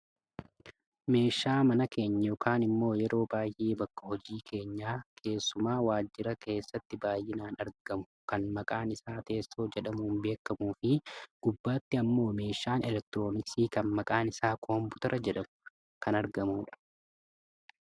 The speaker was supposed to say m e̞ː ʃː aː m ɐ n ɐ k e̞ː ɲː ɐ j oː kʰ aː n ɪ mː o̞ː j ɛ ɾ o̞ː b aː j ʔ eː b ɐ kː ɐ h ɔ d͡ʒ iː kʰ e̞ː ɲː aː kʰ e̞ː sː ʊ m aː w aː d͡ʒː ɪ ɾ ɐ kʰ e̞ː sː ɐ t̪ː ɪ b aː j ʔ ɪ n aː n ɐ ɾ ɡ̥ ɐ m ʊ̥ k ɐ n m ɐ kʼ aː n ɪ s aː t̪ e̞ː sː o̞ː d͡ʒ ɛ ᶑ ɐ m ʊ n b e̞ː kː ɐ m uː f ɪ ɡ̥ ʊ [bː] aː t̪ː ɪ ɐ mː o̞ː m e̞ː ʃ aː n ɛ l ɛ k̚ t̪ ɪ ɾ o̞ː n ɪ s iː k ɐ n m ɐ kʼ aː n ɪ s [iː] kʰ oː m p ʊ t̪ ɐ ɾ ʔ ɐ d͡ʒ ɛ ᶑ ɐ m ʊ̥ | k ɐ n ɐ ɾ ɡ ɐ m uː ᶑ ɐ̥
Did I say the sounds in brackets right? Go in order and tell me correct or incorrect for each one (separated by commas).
correct, incorrect